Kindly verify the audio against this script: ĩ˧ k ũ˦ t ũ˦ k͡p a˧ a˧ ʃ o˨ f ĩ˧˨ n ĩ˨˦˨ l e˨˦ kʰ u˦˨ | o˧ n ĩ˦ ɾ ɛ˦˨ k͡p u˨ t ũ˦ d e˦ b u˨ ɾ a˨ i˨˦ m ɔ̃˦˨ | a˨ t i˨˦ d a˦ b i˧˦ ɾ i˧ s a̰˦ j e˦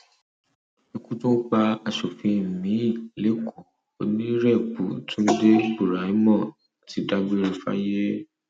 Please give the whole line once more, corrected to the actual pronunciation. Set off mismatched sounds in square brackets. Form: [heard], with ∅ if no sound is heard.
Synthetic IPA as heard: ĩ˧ k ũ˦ t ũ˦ k͡p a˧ a˧ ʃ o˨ f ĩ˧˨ [m] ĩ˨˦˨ l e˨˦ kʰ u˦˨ | o˧ n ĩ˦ ɾ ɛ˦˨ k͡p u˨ t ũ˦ d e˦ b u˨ ɾ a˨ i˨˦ m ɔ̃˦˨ | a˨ t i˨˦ d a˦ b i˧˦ ɾ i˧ [f] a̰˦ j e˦